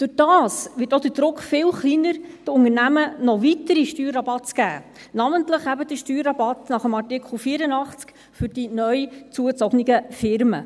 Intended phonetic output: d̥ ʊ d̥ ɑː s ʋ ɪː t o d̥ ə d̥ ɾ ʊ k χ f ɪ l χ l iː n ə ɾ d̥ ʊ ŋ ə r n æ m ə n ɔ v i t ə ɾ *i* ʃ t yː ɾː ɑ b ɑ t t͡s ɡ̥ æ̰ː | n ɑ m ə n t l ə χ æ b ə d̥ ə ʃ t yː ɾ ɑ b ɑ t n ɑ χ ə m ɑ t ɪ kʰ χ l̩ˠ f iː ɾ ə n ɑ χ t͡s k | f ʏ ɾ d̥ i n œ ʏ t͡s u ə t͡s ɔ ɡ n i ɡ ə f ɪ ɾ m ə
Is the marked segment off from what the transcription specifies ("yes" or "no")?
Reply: no